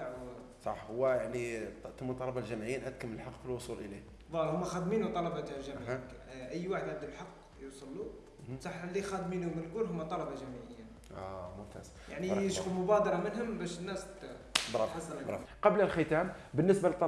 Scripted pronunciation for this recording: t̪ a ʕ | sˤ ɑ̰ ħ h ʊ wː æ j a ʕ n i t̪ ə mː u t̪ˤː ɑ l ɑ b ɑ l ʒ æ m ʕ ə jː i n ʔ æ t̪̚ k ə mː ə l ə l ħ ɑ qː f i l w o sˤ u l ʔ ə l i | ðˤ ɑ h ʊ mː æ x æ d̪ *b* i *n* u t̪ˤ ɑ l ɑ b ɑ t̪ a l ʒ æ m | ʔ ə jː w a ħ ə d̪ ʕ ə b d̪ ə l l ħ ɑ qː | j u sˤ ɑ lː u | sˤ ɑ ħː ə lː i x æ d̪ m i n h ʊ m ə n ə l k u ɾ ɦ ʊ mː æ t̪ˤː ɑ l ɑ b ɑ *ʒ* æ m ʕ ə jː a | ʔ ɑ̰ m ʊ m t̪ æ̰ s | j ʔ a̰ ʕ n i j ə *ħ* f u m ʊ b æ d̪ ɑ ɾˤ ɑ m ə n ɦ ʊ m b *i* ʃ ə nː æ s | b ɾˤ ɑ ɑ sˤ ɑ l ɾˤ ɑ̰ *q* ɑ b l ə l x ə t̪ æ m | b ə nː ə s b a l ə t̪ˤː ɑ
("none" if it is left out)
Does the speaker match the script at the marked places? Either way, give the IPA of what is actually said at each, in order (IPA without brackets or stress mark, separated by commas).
m, n, ʒ, ʃ, æ, q